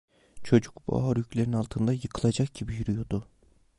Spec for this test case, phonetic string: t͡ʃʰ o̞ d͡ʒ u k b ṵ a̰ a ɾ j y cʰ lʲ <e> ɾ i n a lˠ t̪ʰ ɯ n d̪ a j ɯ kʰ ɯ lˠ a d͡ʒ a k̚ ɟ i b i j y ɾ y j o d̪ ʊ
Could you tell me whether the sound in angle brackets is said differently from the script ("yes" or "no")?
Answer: no